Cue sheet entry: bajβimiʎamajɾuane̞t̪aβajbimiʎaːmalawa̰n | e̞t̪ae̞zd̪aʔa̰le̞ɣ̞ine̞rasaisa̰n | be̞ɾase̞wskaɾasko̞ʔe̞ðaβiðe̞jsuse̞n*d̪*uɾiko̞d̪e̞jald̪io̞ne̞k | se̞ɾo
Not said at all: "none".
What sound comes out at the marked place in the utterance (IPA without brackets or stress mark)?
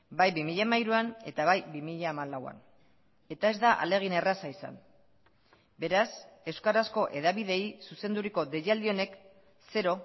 d̪